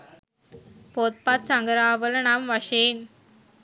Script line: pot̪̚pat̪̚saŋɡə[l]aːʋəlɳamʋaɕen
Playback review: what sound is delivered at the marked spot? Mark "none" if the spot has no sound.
ɾ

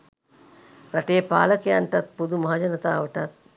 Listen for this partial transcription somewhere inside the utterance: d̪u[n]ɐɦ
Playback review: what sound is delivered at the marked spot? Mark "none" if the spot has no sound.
m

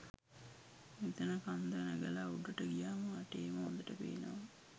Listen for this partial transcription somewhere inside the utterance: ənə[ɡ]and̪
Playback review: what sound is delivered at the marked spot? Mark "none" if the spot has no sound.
k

